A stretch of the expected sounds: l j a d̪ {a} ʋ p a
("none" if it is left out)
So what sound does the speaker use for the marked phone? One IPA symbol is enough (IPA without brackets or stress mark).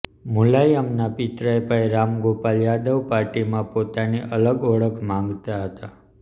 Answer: ə